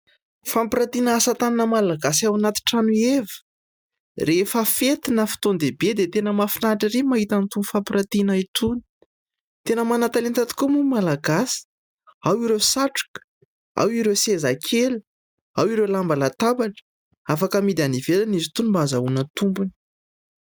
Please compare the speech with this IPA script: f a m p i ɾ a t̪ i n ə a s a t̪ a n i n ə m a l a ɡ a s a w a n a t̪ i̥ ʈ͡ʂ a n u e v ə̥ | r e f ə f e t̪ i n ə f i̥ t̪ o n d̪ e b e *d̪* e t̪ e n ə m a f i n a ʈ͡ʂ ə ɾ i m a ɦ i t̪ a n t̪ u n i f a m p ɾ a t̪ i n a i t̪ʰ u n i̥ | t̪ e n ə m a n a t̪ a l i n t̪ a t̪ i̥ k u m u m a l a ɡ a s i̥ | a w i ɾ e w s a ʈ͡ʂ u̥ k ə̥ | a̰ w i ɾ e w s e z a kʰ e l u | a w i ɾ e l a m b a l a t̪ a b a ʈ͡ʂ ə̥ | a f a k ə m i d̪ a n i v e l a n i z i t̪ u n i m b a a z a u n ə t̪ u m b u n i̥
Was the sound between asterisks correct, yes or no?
yes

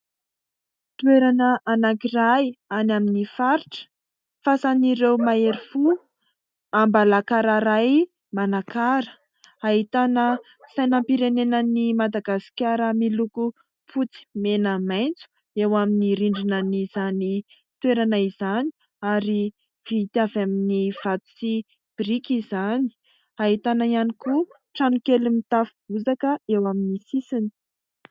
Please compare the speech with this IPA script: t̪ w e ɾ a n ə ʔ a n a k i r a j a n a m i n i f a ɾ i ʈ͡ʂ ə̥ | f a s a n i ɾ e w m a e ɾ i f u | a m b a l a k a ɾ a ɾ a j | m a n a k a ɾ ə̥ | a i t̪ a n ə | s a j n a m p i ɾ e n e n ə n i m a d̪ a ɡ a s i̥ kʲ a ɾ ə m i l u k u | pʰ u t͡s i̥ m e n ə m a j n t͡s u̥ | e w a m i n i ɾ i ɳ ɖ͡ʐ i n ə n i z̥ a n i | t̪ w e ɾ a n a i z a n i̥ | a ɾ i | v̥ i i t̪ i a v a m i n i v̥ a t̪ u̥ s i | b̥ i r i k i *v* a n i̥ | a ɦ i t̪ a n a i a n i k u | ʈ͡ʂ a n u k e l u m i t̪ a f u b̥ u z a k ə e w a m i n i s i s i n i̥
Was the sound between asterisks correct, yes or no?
no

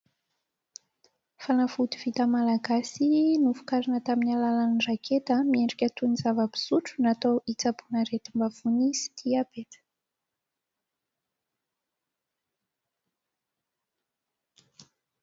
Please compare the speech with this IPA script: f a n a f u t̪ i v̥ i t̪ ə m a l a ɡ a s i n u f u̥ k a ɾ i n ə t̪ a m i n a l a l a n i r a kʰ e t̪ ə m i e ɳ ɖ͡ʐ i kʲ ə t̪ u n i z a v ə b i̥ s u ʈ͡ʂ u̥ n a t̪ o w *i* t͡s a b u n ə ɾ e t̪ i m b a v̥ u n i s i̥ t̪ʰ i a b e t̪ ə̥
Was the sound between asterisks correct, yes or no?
yes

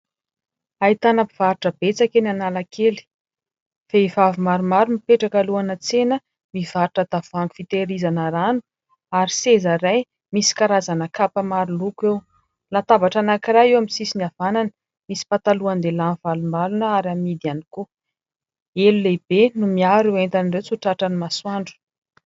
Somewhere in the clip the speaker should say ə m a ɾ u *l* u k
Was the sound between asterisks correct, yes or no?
yes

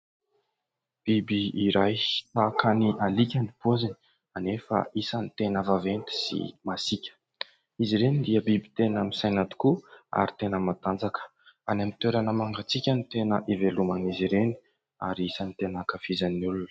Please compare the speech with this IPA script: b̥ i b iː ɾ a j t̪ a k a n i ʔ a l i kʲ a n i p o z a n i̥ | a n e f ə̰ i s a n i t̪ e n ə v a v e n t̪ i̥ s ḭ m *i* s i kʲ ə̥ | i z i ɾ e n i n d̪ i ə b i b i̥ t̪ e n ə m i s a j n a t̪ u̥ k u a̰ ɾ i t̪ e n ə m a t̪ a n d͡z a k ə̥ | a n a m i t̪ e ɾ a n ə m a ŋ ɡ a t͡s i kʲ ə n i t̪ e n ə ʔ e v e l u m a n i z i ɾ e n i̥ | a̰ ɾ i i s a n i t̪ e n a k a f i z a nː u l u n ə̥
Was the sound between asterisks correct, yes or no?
no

